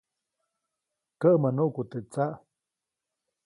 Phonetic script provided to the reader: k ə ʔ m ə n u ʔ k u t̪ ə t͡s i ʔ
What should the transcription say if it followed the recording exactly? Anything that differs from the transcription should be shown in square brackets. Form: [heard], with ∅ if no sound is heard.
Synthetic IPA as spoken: k ə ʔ m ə n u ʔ k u t̪ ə t͡s [a] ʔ